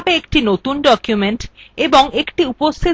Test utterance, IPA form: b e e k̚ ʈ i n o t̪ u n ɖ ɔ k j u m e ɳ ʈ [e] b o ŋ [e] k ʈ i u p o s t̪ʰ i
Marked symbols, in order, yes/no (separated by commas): yes, yes